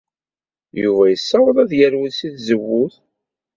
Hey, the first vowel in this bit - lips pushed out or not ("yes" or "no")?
yes